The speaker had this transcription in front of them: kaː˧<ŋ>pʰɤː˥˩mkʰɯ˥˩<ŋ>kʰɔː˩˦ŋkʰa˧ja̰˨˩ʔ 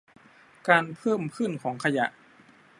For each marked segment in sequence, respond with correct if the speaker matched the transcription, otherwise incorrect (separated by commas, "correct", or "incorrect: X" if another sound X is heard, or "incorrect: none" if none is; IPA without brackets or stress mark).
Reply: incorrect: n, incorrect: n